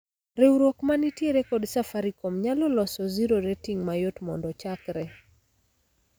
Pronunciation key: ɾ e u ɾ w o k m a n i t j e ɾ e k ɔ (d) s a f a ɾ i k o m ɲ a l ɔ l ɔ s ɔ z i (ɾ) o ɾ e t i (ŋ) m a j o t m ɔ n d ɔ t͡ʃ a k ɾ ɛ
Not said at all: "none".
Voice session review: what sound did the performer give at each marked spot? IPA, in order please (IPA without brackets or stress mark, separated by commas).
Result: d, ɾ, ŋ